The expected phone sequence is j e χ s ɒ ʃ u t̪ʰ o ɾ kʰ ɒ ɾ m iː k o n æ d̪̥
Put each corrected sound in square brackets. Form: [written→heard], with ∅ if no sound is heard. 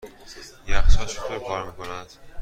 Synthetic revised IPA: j [e→æ] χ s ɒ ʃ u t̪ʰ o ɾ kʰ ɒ ɾ m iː k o n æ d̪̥